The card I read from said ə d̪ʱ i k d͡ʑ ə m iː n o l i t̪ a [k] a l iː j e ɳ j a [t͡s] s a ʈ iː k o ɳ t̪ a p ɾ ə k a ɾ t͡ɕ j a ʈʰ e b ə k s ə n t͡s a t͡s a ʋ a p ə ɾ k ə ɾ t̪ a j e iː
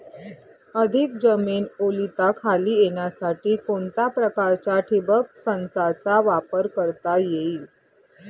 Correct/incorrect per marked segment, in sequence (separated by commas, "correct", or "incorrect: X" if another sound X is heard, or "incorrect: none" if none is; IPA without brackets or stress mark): incorrect: kʰ, incorrect: none